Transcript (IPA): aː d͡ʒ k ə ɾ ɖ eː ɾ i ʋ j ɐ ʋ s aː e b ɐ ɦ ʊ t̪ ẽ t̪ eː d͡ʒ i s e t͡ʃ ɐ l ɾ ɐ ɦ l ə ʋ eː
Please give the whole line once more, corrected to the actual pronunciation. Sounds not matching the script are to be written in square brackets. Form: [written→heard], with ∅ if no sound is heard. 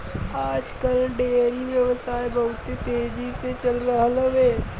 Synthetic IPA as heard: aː d͡ʒ k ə [ɾ→l] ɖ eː ɾ i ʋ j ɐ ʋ s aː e b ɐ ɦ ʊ t̪ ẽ t̪ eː d͡ʒ i s e t͡ʃ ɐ l ɾ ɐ ɦ l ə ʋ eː